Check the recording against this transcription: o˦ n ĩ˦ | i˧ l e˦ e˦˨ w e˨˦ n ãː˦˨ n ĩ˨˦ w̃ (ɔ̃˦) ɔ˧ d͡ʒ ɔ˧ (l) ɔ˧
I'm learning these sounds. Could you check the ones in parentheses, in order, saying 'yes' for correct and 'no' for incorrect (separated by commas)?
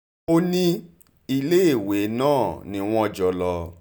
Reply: yes, yes